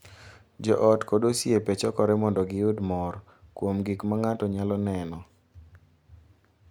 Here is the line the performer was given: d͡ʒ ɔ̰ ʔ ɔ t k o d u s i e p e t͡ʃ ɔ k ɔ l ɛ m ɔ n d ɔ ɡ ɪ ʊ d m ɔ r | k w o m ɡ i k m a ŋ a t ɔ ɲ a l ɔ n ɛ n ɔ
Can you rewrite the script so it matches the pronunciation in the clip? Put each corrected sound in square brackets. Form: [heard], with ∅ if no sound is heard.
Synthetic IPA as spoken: d͡ʒ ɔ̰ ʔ ɔ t k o d [o] s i e p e t͡ʃ ɔ k ɔ [ɾ] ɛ m ɔ n d ɔ ɡ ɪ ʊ d m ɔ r | k w o m ɡ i k m a ŋ a t ɔ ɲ a l ɔ n ɛ n ɔ